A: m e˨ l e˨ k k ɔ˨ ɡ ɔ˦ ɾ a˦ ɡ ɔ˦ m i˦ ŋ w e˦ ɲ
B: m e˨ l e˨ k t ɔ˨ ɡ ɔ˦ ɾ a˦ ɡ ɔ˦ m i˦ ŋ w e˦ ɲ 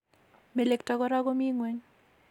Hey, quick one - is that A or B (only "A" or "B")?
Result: B